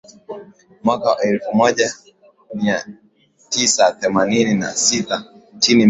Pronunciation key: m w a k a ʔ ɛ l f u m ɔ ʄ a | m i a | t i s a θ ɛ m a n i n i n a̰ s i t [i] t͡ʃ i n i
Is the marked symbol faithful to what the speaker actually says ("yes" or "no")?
no